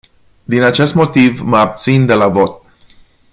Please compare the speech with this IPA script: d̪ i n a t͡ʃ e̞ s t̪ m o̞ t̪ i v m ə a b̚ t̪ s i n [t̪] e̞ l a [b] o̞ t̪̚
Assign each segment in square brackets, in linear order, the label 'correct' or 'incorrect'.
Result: incorrect: d̪, incorrect: v

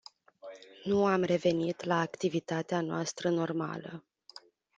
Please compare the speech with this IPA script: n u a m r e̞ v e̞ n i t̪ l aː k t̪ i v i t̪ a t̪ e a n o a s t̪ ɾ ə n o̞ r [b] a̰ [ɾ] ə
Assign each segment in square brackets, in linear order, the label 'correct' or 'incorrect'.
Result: incorrect: m, incorrect: l

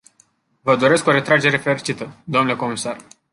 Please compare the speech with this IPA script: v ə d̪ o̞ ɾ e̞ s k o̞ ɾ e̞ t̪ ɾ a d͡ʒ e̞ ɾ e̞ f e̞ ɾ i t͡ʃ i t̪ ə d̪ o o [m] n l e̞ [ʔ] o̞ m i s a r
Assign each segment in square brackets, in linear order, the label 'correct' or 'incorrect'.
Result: correct, incorrect: k

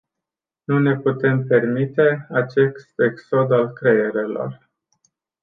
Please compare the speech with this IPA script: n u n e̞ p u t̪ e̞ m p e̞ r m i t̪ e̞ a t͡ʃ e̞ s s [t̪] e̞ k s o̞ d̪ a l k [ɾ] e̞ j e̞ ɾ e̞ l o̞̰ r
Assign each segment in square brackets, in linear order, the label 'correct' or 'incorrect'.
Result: correct, correct

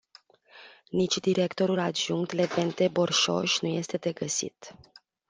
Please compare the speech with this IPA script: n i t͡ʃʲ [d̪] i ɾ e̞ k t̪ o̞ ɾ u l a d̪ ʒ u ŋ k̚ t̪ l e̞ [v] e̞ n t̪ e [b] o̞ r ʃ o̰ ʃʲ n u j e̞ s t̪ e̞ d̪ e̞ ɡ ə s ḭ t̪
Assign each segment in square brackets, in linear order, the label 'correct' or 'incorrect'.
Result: correct, correct, correct

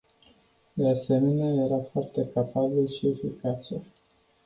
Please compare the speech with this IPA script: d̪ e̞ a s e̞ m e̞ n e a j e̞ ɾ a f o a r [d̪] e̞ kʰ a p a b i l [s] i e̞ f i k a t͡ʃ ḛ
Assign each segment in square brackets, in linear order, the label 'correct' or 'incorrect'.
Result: incorrect: t̪, incorrect: ʃ

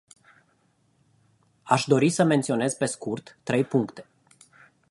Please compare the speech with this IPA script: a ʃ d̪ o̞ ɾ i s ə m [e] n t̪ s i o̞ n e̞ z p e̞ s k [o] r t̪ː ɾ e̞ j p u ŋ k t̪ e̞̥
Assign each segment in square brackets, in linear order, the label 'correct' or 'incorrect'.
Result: correct, incorrect: u

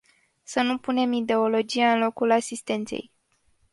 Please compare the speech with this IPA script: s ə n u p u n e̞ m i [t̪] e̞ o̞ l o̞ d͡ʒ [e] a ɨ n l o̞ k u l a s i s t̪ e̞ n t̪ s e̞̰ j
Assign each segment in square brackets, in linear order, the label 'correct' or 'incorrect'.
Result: incorrect: d̪, incorrect: i

